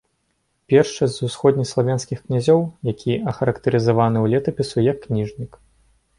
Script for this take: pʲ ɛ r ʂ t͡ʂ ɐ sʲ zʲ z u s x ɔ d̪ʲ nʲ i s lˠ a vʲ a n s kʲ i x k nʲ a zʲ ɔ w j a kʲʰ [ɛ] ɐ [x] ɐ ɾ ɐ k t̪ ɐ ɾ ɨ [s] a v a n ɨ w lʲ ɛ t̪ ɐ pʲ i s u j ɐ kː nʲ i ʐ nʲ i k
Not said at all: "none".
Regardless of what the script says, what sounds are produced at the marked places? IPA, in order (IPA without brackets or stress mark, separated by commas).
i, x, z